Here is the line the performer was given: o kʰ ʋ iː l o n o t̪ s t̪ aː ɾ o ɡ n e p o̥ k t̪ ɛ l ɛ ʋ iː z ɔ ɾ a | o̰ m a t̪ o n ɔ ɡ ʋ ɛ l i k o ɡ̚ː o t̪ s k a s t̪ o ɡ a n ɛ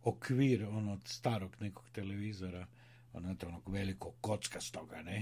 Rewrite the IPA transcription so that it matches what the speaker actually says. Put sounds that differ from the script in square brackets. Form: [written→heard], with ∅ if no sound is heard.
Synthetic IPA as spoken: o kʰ ʋ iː [l→ɾ] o n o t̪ s t̪ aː ɾ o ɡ n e [p→k] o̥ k t̪ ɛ l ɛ ʋ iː z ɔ ɾ a | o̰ [m→n] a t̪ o n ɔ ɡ ʋ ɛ l i k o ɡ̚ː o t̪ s k a s t̪ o ɡ a n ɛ